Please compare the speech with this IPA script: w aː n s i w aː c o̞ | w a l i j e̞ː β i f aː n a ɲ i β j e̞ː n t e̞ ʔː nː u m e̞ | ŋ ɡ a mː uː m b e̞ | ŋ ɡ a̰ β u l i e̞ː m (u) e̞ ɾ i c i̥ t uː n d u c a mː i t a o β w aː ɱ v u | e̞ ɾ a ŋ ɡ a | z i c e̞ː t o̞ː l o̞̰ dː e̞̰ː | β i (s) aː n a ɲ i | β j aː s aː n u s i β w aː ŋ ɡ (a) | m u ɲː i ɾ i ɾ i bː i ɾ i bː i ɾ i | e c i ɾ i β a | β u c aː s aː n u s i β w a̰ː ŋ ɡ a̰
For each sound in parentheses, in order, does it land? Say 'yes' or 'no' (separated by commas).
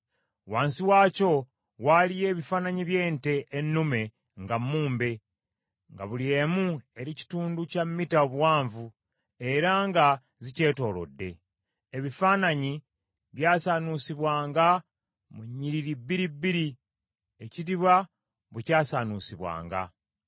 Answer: yes, no, yes